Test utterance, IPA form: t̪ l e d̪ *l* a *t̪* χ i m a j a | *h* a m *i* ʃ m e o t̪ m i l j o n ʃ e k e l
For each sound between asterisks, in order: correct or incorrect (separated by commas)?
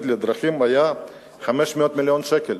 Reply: incorrect, incorrect, incorrect, incorrect